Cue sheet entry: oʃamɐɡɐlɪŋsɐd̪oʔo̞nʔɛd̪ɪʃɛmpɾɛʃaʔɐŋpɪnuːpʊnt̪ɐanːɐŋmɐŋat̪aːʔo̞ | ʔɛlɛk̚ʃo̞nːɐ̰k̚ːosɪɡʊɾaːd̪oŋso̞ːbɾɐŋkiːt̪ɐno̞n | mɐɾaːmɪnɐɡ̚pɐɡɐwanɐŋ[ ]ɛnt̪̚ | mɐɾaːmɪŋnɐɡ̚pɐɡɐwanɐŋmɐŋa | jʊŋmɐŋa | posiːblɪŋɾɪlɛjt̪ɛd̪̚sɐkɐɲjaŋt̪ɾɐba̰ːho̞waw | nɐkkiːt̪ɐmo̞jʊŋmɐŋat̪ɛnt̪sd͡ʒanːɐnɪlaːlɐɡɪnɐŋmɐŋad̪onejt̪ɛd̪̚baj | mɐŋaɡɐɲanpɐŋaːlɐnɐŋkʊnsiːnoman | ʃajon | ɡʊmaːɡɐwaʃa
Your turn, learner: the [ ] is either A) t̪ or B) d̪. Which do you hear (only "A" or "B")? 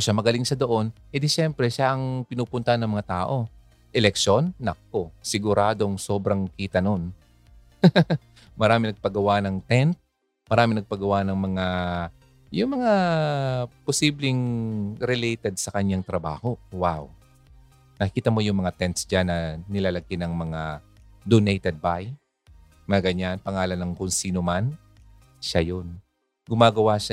A